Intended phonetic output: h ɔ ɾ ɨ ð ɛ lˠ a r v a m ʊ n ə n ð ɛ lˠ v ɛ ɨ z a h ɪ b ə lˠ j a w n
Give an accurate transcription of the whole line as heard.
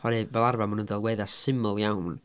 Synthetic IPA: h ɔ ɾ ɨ v ɛ lˠ a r v a m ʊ n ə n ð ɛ lˠ w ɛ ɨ ð a s ɪ m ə lˠ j a w n